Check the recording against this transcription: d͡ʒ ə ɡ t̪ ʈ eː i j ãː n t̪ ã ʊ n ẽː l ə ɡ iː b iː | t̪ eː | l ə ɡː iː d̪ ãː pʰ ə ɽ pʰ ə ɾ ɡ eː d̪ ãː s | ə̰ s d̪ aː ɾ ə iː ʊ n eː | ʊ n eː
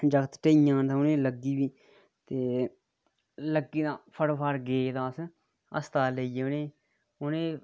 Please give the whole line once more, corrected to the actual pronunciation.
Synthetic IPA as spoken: d͡ʒ ə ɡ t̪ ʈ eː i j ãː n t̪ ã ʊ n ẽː l ə ɡ iː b iː | t̪ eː | l ə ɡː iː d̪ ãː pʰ ə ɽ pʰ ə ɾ ɡ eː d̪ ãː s | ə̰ s t̪ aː l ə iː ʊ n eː | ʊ n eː

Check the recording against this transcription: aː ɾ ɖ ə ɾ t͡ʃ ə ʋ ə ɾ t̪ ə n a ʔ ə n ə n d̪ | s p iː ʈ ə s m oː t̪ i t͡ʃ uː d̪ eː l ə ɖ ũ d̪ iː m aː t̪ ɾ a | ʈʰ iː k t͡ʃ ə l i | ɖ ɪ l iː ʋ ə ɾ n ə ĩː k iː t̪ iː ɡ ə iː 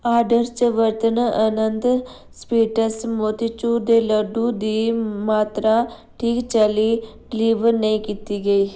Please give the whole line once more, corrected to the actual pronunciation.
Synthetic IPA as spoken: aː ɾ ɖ ə ɾ t͡ʃ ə ʋ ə ɾ t̪ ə n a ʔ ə n ə n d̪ | s p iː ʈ ə s m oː t̪ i t͡ʃ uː d̪ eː l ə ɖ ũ d̪ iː m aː t̪ ɾ a | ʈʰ iː k t͡ʃ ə l i | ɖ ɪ l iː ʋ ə ɾ n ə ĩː k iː t̪ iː ɡ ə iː

